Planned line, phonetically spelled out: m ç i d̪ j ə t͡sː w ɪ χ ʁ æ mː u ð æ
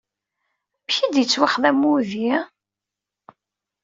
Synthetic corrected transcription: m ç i d̪ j ə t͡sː w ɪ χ ð æ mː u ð i